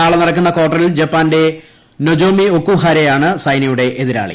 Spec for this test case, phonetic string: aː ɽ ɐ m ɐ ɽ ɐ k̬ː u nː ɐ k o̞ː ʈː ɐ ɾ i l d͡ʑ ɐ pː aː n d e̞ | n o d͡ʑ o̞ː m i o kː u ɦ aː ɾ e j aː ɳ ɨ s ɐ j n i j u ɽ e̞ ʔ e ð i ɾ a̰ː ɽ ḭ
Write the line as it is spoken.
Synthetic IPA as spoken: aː ɭ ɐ n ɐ ɽ ɐ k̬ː u nː ɐ k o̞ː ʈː ɐ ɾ i l d͡ʑ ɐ pː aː n d e̞ | n o d͡ʑ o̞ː m i o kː u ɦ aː ɾ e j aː ɳ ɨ s ɐ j n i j u ɽ e̞ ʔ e ð i ɾ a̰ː ɭ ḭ